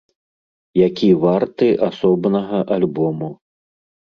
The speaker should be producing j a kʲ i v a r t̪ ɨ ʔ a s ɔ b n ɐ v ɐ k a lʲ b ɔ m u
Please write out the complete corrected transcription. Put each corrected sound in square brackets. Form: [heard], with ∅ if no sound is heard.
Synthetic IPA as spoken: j a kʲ i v a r t̪ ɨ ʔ a s ɔ b n ɐ [ɣ] ɐ [ʔ] a lʲ b ɔ m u